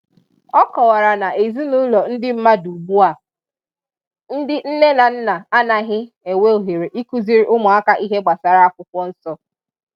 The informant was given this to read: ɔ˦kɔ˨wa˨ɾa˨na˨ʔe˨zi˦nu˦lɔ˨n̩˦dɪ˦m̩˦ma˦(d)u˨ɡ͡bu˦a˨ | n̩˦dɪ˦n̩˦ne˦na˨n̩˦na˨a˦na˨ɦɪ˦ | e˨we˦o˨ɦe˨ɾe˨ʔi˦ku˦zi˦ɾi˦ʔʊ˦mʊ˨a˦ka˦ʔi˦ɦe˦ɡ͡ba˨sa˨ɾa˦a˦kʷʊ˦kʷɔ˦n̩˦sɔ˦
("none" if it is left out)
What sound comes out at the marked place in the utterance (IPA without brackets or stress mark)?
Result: d